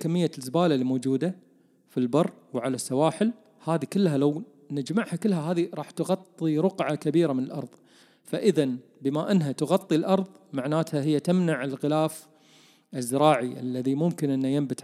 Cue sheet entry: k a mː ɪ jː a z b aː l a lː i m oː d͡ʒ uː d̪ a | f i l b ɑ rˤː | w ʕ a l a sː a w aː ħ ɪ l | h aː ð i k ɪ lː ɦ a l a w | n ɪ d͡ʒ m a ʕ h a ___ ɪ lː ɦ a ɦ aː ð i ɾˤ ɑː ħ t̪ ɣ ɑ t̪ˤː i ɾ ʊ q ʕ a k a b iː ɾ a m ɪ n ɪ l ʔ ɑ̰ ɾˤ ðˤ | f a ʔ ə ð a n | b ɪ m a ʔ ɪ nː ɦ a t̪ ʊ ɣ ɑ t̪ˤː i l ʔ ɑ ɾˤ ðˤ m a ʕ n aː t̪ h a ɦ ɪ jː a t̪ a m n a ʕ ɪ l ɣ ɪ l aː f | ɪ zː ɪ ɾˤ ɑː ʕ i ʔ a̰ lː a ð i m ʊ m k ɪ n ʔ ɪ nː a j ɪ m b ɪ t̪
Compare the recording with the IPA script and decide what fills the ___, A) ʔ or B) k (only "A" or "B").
B